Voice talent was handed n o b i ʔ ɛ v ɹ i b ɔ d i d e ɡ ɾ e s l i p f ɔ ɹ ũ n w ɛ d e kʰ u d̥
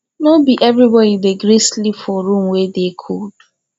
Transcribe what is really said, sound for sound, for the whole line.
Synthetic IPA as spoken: n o b i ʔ ɛ v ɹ i b ɔ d i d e ɡ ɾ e s l i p f ɔ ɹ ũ m w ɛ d e kʰ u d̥